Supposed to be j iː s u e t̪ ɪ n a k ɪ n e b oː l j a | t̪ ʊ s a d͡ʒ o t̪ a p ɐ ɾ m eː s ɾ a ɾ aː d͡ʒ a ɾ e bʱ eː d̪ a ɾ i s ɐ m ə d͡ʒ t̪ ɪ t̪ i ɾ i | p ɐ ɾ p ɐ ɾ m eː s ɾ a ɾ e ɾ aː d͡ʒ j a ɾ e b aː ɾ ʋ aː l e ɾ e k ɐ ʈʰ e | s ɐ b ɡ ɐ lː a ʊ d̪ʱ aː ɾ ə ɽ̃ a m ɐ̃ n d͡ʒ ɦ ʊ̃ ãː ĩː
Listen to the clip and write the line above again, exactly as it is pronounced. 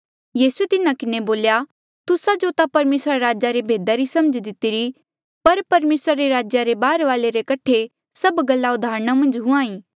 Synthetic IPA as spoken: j iː s u e t̪ ɪ n a k ɪ n e b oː l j a | t̪ ʊ s a d͡ʒ o t̪ a p ɐ ɾ m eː s ɾ a ɾ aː d͡ʒ a ɾ e bʱ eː d̪ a ɾ i s ɐ m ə d͡ʒ d̪ ɪ t̪ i ɾ i | p ɐ ɾ p ɐ ɾ m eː s ɾ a ɾ e ɾ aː d͡ʒ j a ɾ e b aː ɾ ʋ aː l e ɾ e k ɐ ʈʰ e | s ɐ b ɡ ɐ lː a ʊ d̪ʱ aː ɾ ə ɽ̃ a m ɐ̃ n d͡ʒ ɦ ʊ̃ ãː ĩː

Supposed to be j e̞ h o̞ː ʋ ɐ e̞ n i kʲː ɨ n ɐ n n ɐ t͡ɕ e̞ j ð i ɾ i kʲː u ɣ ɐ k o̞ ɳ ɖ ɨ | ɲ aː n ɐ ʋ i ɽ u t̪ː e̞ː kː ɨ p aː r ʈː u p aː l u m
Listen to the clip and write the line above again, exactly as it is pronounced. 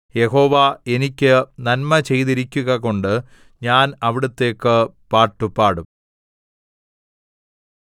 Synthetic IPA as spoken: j e̞ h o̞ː ʋ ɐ e̞ n i kʲː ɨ n ɐ n m ɐ t͡ɕ e̞ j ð i ɾ i kʲː u ɣ ɐ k o̞ ɳ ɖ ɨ | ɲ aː n ɐ ʋ i ɽ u t̪ː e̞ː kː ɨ p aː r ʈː u p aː ɽ u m

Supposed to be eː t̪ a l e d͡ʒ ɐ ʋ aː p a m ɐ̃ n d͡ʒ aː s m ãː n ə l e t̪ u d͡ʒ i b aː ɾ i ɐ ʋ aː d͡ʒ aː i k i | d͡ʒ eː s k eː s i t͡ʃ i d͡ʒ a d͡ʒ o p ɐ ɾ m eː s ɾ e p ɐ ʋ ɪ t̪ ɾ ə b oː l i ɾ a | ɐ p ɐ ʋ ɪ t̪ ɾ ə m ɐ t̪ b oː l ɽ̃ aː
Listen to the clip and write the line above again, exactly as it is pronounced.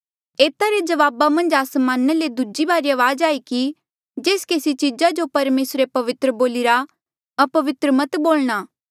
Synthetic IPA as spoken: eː t̪ a ɾ e d͡ʒ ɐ ʋ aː b a m ɐ̃ n d͡ʒ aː s m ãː n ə l e d̪ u d͡ʒ i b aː ɾ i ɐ ʋ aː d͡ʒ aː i k i | d͡ʒ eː s k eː s i t͡ʃ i d͡ʒ a d͡ʒ o p ɐ ɾ m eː s ɾ e p ɐ ʋ ɪ t̪ ɾ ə b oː l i ɾ a | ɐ p ɐ ʋ ɪ t̪ ɾ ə m ɐ t̪ b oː l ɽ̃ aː

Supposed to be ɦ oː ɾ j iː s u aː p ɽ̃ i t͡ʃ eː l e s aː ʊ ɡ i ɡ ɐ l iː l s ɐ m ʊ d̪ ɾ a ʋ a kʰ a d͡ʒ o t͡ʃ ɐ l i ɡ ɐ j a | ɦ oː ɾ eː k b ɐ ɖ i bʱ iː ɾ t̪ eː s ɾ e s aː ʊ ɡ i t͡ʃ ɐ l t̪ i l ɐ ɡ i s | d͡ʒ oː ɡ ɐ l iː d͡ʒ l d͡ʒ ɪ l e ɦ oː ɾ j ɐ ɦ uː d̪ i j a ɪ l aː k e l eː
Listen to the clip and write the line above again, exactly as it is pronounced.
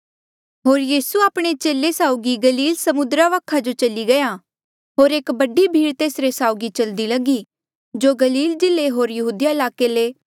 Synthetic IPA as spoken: ɦ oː ɾ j iː s u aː p ɽ̃ e t͡ʃ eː l e s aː ʊ ɡ i ɡ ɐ l iː l s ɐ m ʊ d̪ ɾ a ʋ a kʰ a d͡ʒ o t͡ʃ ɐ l i ɡ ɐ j a | ɦ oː ɾ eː k b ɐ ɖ i bʱ iː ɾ t̪ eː s ɾ e s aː ʊ ɡ i t͡ʃ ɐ l d̪ i l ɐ ɡ i | d͡ʒ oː ɡ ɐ l iː l d͡ʒ ɪ l e ɦ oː ɾ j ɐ ɦ uː d̪ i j a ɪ l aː k e l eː

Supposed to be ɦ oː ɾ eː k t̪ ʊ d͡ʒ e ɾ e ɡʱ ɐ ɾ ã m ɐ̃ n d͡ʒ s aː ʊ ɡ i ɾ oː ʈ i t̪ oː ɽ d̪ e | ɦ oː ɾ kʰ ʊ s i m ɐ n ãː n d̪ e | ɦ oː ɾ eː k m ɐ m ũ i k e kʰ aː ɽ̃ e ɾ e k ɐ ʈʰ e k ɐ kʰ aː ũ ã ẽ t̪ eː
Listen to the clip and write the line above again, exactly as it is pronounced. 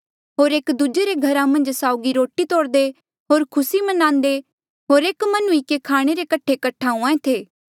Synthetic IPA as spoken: ɦ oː ɾ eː k d̪ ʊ d͡ʒ e ɾ e ɡʱ ɐ ɾ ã m ɐ̃ n d͡ʒ s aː ʊ ɡ i ɾ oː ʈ i t̪ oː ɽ d̪ e | ɦ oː ɾ kʰ ʊ s i m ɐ n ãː n d̪ e | ɦ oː ɾ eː k m ɐ n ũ i k e kʰ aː ɽ̃ e ɾ e k ɐ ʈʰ e k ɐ ʈʰ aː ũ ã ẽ t̪ʰ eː

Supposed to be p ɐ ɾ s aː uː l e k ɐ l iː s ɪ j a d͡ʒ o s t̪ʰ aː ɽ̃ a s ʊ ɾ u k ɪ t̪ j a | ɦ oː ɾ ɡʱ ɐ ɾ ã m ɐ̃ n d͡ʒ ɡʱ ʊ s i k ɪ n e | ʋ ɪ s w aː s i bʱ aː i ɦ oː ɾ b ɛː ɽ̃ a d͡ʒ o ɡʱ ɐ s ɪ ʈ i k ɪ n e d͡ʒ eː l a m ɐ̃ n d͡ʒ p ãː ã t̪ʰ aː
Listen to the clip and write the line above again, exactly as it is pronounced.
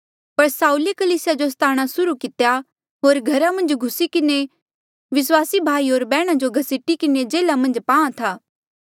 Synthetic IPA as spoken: p ɐ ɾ s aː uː l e k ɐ l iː s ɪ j a d͡ʒ o s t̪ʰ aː ɽ̃ a s ʊ ɾ u k ɪ t̪ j a | ɦ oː ɾ ɡʱ ɐ ɾ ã m ɐ̃ n d͡ʒ ɡʱ ʊ s i k ɪ n e | ʋ ɪ s w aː s i bʱ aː i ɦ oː ɾ b ɛː ɽ̃ a d͡ʒ o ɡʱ ɐ s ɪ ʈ i k ɪ n e d͡ʒ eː l a m ɐ̃ n d͡ʒ p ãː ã t̪ʰ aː

